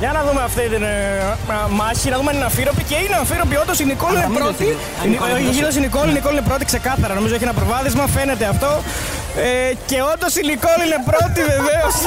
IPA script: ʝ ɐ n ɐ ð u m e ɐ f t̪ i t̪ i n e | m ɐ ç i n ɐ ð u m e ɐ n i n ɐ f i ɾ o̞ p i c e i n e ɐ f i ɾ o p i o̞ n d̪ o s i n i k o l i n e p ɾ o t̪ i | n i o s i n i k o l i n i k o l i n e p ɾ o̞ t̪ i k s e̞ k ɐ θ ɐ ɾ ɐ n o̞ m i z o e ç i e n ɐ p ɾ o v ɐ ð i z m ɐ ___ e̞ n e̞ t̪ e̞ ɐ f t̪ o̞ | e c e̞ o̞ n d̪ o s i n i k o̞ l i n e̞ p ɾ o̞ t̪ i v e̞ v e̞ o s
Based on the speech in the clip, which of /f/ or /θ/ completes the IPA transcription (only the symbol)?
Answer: f